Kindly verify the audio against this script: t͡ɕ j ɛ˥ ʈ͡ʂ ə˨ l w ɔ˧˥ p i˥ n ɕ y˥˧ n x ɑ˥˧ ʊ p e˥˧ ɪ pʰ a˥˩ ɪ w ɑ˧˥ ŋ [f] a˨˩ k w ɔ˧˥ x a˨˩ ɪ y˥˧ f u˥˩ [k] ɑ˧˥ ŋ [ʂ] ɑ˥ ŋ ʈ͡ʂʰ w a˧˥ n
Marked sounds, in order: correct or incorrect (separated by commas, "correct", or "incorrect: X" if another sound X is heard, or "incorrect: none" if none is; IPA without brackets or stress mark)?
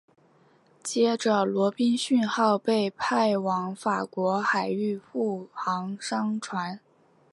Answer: correct, incorrect: x, correct